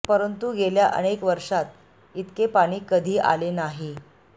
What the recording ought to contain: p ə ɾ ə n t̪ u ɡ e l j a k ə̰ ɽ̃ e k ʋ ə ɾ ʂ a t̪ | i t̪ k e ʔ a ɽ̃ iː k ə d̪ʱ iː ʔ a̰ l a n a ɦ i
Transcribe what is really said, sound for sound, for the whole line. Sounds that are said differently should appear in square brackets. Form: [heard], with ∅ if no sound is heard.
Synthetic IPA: p ə ɾ ə n t̪ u ɡ e l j a [ʔ] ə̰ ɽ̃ e k ʋ ə ɾ ʂ a t̪ | i t̪ k e [p] a ɽ̃ iː k ə d̪ʱ iː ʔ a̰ l [e] n a ɦ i